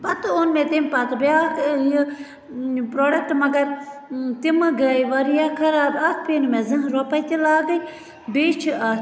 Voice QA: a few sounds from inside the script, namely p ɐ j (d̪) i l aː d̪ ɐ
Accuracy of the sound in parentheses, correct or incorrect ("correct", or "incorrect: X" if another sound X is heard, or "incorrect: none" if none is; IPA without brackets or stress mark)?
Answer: incorrect: t̪